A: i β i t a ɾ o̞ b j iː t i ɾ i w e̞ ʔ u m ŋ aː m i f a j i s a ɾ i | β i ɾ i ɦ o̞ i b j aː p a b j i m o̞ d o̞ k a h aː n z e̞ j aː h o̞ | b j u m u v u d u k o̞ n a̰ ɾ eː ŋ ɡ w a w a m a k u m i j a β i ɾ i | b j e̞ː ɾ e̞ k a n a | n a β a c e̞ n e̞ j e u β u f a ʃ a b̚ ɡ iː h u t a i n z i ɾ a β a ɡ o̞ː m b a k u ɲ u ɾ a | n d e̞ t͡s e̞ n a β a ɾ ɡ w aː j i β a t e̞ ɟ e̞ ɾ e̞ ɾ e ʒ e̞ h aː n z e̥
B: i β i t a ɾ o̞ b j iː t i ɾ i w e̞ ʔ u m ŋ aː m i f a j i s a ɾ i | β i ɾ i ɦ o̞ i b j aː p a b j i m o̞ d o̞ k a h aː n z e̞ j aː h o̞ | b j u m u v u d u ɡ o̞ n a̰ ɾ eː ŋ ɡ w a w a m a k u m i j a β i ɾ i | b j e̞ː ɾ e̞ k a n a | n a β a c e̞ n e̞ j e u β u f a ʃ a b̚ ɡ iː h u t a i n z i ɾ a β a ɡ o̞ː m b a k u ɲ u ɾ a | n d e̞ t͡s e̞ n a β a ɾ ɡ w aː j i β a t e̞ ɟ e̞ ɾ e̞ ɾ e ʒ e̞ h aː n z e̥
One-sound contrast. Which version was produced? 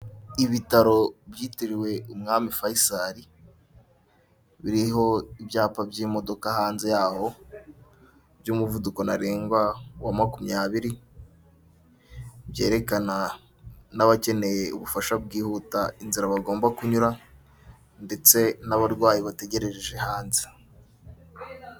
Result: A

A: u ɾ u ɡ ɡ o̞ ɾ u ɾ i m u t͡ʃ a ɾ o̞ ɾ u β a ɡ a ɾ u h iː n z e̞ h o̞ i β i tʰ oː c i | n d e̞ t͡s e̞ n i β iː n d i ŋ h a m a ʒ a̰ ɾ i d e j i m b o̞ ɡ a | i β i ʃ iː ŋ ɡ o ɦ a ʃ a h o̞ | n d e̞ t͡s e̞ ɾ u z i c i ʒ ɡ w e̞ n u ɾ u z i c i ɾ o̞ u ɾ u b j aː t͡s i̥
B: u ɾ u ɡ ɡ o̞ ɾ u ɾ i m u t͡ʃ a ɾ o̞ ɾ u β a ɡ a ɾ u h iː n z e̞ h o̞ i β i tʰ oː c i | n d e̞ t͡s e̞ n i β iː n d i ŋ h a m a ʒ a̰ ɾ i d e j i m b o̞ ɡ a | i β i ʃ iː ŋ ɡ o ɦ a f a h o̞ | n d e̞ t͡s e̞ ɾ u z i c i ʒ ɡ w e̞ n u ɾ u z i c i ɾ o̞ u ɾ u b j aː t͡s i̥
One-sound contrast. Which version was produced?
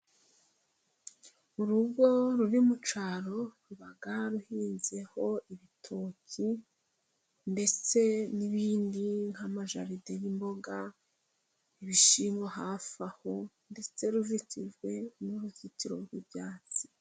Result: B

